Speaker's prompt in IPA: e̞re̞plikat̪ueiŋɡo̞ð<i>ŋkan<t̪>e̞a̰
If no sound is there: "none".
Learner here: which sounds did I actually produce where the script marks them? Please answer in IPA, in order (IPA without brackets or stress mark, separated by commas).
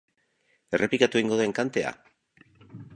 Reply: e, t̪